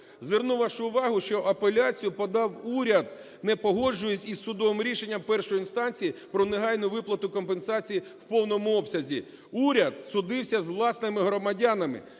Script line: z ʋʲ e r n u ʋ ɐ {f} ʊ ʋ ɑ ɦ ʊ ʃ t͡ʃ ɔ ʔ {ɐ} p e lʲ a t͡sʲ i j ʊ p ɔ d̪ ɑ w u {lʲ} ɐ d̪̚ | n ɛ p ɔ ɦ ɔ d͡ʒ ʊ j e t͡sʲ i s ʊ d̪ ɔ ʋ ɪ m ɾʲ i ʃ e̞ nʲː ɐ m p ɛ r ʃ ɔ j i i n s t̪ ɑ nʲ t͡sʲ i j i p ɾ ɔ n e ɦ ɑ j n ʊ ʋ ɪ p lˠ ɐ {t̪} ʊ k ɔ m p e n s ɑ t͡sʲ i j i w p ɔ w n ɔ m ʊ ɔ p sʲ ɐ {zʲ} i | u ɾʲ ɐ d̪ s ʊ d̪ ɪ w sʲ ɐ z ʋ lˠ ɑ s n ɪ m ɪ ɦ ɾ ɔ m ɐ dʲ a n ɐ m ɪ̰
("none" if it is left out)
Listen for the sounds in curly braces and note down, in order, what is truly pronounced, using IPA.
ʃ, ɐ, ɾʲ, t̪, zʲ

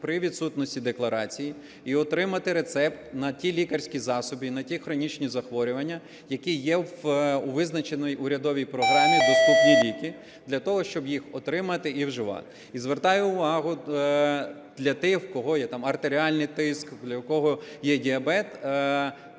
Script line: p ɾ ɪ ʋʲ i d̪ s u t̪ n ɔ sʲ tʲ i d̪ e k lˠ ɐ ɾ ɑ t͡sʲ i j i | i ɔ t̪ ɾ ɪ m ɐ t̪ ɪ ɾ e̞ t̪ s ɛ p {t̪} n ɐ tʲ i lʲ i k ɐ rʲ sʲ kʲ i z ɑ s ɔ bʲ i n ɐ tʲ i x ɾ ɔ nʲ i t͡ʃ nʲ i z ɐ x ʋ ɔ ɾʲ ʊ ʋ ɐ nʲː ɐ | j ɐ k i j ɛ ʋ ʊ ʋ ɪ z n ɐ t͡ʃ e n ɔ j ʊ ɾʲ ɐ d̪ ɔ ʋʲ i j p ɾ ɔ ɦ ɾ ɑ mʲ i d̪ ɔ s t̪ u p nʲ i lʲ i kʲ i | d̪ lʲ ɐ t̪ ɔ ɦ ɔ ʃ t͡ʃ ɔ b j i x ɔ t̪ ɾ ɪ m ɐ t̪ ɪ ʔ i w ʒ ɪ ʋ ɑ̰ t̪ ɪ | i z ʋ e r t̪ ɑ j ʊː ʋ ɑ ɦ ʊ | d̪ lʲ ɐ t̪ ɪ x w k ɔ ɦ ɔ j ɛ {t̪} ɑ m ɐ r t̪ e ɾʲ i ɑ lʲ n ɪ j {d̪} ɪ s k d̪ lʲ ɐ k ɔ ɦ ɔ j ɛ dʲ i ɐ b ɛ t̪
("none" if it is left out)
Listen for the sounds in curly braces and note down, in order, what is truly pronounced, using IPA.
t̪, t̪, t̪

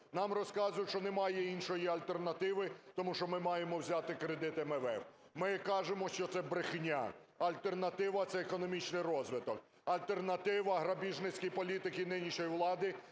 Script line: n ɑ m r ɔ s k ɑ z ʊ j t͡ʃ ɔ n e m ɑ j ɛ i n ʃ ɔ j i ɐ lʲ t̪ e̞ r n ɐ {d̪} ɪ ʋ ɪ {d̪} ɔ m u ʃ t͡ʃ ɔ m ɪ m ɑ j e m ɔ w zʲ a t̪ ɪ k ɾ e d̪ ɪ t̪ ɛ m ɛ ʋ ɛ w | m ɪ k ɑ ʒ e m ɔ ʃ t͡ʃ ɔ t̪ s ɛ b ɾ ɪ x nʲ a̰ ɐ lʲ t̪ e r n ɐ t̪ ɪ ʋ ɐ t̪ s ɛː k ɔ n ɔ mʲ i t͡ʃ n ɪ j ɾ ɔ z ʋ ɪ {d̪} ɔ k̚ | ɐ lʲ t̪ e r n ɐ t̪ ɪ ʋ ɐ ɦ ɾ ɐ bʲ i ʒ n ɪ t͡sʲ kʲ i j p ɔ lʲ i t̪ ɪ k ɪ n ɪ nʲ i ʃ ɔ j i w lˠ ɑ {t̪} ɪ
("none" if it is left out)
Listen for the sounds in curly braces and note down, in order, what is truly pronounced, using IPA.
t̪, t̪, t̪, d̪

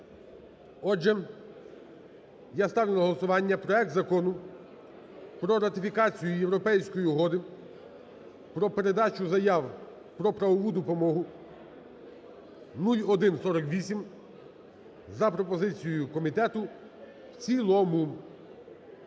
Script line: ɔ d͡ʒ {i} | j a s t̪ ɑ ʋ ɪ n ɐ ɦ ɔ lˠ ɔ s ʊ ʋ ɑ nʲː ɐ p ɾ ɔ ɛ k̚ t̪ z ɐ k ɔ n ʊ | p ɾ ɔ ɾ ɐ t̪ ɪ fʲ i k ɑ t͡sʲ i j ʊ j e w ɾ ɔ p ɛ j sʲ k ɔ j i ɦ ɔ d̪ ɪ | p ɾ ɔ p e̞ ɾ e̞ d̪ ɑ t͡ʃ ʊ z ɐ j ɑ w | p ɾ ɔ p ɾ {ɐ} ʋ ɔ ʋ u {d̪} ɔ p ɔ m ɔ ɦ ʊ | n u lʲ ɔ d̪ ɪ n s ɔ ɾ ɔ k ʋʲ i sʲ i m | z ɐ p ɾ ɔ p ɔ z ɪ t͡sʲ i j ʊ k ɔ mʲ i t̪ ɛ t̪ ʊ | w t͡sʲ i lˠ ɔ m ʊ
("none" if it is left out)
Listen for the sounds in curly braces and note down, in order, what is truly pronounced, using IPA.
ɛ, ɐ, d̪

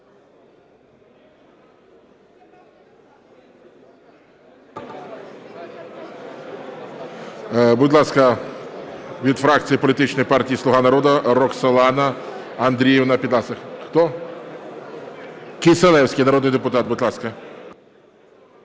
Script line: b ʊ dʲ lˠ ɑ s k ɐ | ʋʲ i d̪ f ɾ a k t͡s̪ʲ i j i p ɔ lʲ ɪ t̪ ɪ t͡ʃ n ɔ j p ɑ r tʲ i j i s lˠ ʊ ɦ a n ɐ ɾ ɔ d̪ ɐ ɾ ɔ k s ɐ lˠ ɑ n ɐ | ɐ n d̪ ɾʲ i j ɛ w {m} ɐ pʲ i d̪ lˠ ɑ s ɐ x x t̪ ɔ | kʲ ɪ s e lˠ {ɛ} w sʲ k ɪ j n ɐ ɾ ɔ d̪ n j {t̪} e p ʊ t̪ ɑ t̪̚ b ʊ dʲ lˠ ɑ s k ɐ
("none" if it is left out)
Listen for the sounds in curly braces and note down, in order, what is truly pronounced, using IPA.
n, ɛ, d̪

